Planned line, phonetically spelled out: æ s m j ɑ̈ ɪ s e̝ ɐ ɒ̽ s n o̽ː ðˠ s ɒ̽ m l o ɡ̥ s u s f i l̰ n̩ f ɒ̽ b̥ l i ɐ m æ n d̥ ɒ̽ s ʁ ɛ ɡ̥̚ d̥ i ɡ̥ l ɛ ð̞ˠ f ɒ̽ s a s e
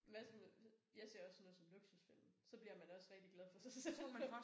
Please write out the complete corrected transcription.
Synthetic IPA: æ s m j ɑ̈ ɪ s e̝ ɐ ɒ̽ s n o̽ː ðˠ s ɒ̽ m l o ɡ̥ s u s f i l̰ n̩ s ɒ̽ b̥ l i ɐ m æ n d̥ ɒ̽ s ʁ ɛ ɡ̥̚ d̥ i ɡ̥ l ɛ ð̞ˠ f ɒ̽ s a s e

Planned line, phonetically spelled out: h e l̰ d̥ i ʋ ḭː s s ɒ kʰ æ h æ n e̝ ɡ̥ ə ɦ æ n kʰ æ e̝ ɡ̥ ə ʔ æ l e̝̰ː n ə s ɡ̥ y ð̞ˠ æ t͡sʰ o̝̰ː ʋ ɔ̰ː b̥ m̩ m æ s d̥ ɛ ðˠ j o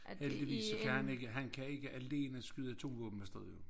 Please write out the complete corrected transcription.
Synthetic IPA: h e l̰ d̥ i ʋ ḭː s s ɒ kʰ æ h æ n e̝ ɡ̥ ə ɦ æ n kʰ æ e̝ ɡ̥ ə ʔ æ l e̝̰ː n ə s ɡ̥ y ð̞ˠ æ t͡sʰ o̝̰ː ʋ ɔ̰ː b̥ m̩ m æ s d̥ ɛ ðˠ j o

